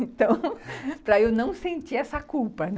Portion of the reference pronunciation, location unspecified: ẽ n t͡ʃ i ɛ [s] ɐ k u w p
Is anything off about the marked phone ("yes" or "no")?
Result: no